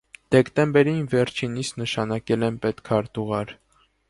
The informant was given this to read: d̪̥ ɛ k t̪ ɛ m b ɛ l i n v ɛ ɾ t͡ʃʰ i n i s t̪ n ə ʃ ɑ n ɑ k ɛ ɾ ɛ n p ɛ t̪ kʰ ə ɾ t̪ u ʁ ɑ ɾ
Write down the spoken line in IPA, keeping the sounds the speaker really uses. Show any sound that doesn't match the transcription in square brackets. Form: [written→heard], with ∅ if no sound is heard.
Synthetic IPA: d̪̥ ɛ k t̪ ɛ m b ɛ [l→ɾ] i n v ɛ ɾ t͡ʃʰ i n i s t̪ n ə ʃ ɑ n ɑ k ɛ [ɾ→l] ɛ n p ɛ t̪ kʰ [ə→ɑ] ɾ t̪ u ʁ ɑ ɾ